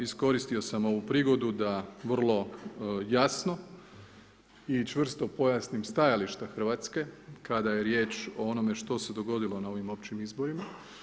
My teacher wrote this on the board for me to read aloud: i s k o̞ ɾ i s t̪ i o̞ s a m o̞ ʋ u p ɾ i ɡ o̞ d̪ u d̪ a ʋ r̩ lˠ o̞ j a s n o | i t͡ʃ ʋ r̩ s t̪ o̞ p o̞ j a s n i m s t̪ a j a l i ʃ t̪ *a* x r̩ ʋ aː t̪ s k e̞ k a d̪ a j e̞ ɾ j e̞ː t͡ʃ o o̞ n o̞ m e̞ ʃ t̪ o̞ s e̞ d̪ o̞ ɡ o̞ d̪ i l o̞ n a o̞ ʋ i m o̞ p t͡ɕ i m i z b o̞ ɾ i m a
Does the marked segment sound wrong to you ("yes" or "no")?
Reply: no